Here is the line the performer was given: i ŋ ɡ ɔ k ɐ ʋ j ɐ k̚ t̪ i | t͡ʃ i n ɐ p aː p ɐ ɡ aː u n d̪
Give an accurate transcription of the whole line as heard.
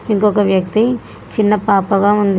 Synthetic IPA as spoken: i ŋ k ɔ k ɐ ʋ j ɐ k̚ t̪ i | t͡ʃ i nː ɐ p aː p ɐ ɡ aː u n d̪